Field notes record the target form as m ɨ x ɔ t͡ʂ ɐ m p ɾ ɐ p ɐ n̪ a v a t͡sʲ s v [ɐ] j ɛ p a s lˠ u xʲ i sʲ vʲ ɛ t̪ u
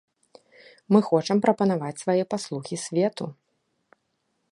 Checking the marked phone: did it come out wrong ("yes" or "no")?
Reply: yes